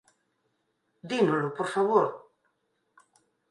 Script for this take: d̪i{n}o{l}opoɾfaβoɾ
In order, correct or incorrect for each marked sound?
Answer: correct, correct

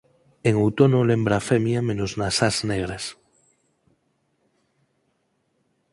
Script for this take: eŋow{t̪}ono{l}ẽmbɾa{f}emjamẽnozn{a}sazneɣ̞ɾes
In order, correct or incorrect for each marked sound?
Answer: correct, correct, correct, correct

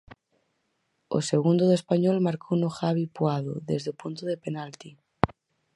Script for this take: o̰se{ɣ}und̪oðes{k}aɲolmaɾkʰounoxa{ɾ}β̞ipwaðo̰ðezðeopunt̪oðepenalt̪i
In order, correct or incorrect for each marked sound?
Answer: correct, incorrect, incorrect

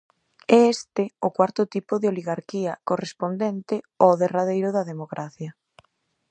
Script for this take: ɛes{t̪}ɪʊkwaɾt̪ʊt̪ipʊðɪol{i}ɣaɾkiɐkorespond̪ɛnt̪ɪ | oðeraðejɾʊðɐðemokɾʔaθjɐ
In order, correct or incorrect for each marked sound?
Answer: correct, correct

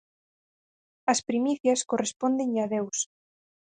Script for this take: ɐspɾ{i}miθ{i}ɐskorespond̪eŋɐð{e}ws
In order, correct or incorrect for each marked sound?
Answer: correct, incorrect, correct

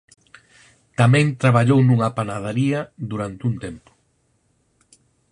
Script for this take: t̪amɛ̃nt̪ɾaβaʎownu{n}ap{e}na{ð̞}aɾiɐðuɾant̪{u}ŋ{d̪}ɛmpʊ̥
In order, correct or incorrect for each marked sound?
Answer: incorrect, incorrect, correct, correct, incorrect

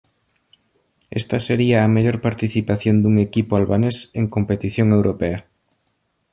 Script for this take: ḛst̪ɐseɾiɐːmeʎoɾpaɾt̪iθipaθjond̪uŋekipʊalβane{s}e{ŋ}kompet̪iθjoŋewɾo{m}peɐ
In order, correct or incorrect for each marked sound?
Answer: correct, correct, incorrect

